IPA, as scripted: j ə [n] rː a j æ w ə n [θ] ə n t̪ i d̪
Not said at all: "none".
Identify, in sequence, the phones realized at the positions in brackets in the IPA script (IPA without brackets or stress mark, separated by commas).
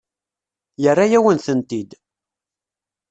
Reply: none, θ